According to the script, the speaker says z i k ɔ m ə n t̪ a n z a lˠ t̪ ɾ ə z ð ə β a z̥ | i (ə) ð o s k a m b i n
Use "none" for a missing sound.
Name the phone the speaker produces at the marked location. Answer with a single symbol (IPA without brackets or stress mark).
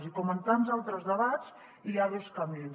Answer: a